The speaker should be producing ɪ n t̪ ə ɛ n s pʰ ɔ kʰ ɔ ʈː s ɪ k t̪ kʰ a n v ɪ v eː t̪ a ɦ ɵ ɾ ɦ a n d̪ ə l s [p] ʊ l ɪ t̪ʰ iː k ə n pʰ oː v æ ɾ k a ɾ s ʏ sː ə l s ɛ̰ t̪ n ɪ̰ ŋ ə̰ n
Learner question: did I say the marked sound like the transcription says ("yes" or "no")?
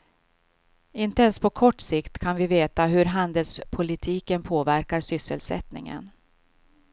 no